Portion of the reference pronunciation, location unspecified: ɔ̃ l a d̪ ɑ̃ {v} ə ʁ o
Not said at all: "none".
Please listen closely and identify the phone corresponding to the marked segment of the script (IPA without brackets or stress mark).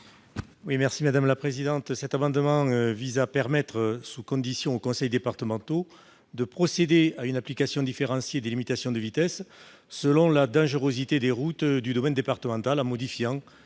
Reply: ʒ